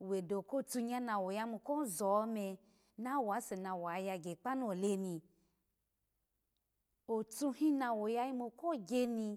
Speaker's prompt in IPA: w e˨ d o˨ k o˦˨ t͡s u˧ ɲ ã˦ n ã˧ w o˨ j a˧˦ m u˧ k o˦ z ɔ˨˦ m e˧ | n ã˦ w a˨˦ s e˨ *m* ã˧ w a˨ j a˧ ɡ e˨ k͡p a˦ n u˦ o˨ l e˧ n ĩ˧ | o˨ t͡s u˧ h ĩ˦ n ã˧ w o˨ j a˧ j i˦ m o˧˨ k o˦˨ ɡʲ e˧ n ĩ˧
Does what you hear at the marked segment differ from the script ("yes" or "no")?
yes